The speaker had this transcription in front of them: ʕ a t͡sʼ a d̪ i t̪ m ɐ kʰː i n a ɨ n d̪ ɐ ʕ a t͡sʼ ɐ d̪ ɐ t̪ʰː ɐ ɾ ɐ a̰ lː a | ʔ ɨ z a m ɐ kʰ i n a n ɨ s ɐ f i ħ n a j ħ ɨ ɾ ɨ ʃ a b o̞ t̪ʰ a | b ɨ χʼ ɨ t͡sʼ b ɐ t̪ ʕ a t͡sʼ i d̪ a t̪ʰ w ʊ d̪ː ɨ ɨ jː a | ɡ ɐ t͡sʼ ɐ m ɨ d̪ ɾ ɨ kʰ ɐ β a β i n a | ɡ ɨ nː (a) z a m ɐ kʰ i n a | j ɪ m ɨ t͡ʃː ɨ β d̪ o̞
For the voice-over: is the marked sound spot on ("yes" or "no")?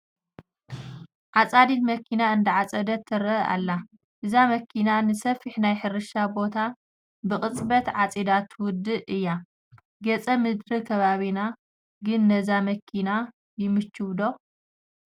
no